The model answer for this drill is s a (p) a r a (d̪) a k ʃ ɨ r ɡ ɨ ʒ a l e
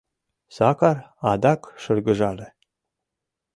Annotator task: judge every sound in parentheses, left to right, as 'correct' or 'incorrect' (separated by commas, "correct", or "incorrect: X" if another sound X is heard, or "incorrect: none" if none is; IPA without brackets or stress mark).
incorrect: k, correct